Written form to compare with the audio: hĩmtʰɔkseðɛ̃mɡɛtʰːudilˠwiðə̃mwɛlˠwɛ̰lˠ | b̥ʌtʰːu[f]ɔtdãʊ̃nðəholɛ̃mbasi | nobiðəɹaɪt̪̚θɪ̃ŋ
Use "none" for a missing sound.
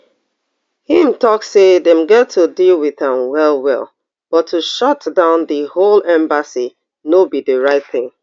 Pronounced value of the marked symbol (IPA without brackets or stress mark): ʃ